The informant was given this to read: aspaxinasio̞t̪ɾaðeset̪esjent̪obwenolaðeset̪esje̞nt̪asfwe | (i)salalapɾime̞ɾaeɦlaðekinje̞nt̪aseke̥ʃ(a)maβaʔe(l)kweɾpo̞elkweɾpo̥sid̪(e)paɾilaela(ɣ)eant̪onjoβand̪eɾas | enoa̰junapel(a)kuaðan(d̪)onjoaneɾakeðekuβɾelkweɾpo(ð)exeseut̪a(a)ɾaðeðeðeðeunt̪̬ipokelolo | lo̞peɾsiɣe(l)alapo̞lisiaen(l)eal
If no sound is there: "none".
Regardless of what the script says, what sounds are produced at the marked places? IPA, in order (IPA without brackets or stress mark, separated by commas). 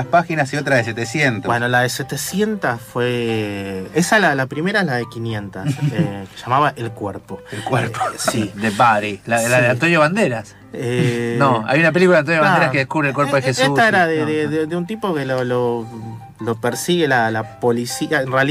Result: e, a, l, e, ð, i, t̪, ð, e, l, r